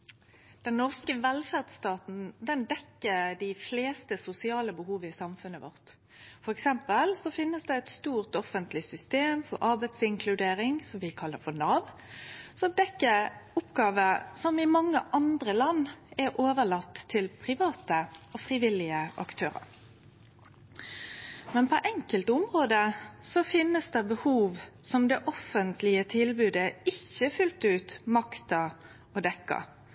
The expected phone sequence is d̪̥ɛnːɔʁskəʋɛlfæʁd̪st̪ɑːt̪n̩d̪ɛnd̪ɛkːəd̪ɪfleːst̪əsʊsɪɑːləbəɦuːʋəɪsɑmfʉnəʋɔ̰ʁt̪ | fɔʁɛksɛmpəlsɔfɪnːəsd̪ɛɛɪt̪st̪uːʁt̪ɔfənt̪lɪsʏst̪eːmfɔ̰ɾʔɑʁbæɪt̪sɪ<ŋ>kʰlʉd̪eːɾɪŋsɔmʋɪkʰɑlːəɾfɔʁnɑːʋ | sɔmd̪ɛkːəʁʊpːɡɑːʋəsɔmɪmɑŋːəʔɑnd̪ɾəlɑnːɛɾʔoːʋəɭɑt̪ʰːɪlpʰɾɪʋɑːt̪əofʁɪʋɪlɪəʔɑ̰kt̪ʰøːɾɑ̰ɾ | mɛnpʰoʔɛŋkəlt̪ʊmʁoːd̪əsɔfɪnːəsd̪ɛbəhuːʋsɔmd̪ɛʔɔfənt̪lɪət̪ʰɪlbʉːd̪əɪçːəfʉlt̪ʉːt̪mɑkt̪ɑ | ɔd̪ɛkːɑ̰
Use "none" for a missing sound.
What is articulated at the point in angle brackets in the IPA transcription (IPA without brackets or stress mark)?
ŋ